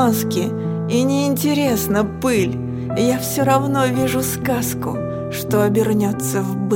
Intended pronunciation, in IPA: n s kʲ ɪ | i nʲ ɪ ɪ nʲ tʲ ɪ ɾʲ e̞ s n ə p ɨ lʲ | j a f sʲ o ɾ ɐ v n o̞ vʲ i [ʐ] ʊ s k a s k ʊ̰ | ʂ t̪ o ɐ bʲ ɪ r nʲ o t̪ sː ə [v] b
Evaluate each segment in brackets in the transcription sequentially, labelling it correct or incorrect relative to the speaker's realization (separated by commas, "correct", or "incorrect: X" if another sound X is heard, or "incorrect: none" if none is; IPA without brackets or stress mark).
correct, correct